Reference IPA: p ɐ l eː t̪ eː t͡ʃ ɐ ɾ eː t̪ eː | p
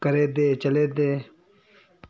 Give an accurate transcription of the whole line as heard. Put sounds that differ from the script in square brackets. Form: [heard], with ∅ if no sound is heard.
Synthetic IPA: [k] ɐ [ɾ] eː [d̪] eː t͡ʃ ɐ [l] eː [d̪] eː | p